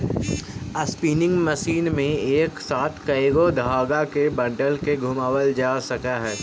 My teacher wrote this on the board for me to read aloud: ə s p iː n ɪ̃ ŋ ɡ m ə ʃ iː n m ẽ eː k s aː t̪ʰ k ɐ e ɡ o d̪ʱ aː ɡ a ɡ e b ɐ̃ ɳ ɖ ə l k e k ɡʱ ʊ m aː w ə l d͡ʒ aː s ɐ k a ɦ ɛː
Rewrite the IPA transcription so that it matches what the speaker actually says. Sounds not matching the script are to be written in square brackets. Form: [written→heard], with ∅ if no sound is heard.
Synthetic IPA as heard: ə s p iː n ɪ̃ ŋ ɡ m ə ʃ iː n m ẽ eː k s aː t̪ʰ k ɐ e ɡ o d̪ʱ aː ɡ a [ɡ→k] e b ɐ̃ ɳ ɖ ə l k e [k→∅] ɡʱ ʊ m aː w ə l d͡ʒ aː s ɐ k a ɦ ɛː